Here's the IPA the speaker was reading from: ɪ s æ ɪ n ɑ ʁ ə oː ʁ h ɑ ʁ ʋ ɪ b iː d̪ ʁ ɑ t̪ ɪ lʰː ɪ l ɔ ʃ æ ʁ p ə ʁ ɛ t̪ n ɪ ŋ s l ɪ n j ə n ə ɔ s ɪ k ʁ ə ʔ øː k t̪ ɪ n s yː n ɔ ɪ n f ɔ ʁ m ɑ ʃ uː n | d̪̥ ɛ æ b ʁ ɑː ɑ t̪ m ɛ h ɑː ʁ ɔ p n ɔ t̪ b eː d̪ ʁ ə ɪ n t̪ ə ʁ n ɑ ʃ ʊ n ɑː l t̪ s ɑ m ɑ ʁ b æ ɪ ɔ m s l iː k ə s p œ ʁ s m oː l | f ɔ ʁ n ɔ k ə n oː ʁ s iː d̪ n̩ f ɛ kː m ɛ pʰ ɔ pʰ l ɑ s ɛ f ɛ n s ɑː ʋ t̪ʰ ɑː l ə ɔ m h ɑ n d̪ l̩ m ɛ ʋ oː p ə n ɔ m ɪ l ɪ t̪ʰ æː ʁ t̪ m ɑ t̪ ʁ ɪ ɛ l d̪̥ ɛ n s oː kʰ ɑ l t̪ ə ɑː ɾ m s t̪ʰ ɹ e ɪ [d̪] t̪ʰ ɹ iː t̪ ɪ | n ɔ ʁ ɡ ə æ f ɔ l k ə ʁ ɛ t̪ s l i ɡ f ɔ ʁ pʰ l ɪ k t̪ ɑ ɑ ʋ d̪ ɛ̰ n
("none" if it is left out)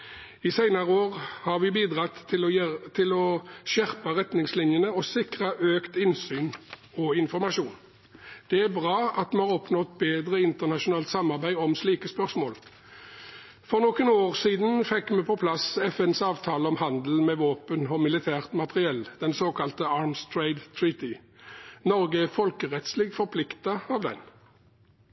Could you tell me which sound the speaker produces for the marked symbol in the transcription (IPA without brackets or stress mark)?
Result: d̪